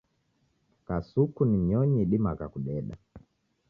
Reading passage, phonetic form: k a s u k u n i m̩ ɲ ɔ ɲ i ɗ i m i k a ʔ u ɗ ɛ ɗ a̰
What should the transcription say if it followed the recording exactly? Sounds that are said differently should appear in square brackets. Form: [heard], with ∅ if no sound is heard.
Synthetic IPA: k a s u k u n i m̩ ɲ ɔ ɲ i ɗ i m [a] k a [k] u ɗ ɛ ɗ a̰